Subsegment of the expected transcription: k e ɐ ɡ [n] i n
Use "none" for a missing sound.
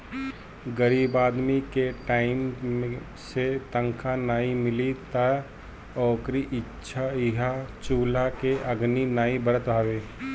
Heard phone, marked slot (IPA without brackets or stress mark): n